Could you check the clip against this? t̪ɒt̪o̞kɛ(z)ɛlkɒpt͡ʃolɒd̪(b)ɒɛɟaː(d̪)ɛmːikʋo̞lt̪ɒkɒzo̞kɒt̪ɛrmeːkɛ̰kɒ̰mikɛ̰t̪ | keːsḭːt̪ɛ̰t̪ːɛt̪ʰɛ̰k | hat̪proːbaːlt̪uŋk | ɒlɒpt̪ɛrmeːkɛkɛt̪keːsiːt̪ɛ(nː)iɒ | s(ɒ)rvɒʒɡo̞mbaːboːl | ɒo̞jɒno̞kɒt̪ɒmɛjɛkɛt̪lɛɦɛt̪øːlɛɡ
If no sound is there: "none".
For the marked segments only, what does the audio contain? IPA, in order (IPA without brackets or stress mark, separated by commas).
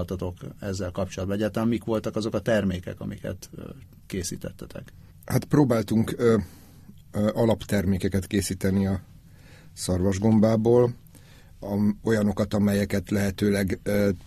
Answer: zː, b, t̪, n, ɒ